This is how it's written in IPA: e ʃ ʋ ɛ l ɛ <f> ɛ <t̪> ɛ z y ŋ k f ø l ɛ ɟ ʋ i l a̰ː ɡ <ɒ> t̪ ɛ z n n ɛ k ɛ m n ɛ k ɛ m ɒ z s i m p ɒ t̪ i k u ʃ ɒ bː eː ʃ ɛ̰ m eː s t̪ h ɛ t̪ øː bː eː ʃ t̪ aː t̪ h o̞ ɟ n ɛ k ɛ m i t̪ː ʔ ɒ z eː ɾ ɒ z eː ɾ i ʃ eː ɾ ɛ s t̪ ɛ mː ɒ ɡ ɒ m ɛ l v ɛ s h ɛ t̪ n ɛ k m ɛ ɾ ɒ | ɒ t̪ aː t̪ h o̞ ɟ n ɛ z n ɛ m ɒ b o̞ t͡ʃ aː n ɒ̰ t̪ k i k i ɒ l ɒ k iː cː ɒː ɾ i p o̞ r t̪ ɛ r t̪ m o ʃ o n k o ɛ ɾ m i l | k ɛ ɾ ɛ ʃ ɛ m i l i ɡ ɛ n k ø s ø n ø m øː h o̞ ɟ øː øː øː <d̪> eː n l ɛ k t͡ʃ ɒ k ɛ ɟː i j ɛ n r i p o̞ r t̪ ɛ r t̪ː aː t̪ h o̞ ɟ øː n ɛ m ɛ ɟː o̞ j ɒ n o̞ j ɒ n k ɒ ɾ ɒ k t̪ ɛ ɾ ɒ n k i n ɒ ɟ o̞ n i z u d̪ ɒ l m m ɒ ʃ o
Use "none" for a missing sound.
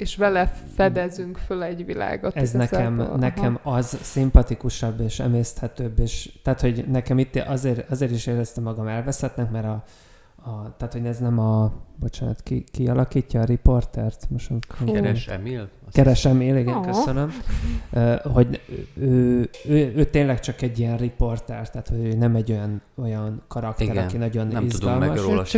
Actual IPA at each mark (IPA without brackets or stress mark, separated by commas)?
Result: f, d̪, o, t̪